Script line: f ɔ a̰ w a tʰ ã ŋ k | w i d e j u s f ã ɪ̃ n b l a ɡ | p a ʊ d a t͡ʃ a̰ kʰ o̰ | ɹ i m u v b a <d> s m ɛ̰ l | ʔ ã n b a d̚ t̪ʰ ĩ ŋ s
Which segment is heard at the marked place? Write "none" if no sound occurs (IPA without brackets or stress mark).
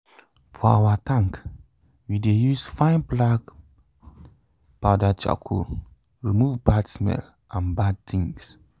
d